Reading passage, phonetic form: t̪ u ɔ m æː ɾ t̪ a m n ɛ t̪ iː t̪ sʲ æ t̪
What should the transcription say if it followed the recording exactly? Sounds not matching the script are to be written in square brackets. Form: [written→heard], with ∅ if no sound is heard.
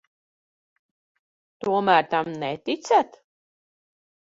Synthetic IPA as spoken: t̪ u ɔ m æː ɾ t̪ a m n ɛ t̪ [iː→i] t̪ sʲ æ t̪

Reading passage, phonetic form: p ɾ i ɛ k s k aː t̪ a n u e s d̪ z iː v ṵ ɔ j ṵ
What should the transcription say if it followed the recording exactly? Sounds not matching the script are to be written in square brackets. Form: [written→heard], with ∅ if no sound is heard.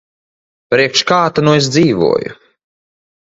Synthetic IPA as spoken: p ɾ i ɛ k [s→ʃ] k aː t̪ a n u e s d̪ z iː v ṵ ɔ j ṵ

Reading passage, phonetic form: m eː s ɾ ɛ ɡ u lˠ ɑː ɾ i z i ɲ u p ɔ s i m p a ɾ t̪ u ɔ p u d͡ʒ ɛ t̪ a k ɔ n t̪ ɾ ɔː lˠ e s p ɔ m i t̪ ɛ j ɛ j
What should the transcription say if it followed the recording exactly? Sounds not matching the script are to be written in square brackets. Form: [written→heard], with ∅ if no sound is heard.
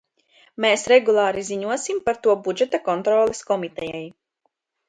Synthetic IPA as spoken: m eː s ɾ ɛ ɡ u lˠ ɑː ɾ i z i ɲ u [p→∅] ɔ s i m p a ɾ t̪ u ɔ [p→b] u d͡ʒ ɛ t̪ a k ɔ n t̪ ɾ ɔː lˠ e s [p→k] ɔ m i t̪ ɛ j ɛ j

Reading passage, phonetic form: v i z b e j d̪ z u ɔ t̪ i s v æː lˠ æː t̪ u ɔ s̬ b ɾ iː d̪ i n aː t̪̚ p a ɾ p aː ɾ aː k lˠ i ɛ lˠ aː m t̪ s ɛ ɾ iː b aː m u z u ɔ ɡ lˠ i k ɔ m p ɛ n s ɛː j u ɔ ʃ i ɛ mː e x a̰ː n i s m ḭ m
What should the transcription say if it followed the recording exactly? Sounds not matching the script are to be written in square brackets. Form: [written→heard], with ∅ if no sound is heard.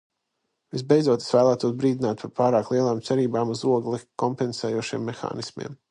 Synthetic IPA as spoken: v i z b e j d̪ z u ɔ t̪ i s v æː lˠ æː t̪ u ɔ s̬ b ɾ iː d̪ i n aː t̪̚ p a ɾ p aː ɾ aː k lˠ i ɛ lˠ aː m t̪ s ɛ ɾ iː b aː m u z u ɔ ɡ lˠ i k ɔ m p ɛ n s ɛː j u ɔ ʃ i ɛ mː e x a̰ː n i s m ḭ m

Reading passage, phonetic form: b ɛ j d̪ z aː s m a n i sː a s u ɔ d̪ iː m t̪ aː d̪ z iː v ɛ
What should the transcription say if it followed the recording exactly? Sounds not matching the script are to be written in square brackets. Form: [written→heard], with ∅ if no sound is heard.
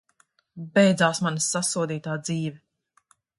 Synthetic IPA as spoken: b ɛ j d̪ z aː s m a n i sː a s u ɔ d̪ iː [m→∅] t̪ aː d̪ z iː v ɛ

